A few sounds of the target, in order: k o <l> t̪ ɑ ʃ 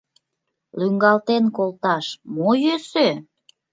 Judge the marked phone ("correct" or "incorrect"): correct